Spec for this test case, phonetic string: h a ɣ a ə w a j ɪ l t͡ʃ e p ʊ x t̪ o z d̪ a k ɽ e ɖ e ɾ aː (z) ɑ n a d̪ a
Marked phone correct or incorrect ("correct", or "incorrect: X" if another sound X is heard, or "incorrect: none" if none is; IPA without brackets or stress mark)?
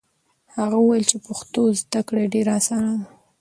incorrect: s